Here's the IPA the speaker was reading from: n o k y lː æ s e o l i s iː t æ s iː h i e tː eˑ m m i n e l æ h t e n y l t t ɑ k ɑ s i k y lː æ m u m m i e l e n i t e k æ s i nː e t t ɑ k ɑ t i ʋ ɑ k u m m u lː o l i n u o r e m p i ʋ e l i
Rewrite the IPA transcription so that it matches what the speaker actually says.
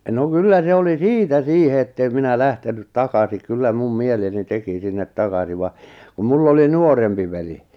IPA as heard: n o k y lː æ s e o l i s iː t æ s iː h e e tː eˑ m m i n æ l æ h t e n y t t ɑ k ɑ s i k y lː æ m u m m i e l e n i t e k i s i nː e t t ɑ k ɑ s i ʋ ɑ k u m m u lː o l i n u o r e m p i ʋ e l i